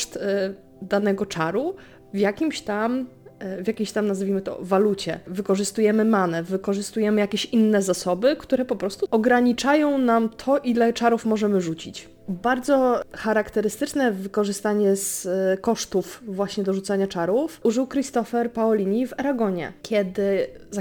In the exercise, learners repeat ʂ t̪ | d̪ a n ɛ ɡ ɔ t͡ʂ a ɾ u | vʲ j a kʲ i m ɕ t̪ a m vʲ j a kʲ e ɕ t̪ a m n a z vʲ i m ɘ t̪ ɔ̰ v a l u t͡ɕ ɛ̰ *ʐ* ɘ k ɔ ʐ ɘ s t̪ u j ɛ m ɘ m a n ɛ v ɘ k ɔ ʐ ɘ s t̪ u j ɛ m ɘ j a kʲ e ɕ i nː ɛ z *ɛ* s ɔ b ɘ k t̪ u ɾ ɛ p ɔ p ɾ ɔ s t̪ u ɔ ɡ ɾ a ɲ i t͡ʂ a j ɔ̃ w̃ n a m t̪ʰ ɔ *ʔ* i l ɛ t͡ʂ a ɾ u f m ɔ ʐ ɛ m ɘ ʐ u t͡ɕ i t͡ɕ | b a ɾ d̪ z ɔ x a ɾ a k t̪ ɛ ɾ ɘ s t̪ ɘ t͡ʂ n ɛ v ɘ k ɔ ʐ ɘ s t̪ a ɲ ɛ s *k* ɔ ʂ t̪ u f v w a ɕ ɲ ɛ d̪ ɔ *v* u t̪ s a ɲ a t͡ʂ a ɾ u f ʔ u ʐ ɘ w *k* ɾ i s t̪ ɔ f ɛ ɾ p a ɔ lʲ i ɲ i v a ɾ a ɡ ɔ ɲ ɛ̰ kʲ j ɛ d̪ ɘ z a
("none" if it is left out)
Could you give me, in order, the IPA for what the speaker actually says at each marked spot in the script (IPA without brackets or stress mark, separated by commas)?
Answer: v, a, ʔ, k, ʐ, k